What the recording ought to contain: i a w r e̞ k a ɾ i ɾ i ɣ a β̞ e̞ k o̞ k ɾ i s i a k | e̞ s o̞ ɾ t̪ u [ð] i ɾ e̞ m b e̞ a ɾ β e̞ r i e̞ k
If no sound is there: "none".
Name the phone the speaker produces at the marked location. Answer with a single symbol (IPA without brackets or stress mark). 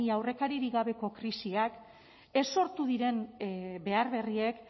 ð